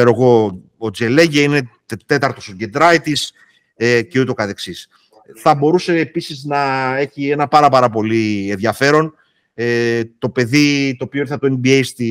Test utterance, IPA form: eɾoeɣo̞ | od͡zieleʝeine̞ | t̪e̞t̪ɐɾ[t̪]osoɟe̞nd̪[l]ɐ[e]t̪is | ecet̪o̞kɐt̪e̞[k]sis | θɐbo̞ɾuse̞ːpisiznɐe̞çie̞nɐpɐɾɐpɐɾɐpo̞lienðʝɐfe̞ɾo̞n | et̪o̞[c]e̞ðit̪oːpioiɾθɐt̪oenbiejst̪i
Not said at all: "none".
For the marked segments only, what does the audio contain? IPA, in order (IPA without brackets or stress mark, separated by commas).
t̪, ɾ, i, k, p